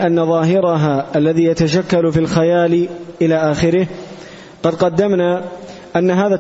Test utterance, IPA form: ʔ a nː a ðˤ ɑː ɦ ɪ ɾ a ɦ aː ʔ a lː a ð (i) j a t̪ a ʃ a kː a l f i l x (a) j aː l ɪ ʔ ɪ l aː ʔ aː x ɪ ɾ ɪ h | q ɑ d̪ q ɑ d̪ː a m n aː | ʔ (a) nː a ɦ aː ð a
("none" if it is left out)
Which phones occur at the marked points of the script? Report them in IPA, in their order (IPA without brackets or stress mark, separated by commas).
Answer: iː, a, a